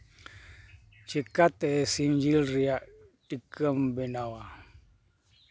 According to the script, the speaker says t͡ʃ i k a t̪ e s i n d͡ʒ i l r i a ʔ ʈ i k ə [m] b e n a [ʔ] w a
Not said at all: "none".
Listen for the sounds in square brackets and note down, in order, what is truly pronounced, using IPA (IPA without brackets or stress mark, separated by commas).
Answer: m, none